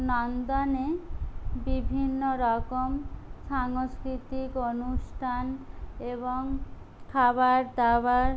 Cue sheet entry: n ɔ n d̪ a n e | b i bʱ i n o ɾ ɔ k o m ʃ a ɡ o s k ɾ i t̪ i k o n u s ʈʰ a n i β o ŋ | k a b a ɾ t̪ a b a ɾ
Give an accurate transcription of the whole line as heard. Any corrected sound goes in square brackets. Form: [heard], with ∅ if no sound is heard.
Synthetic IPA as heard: n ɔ n d̪ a n e | b i bʱ i [nː] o ɾ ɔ k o m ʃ a [ŋ] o s k ɾ i t̪ i k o n u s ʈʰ a n [e] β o ŋ | [kʰ] a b a ɾ [d̪] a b a ɾ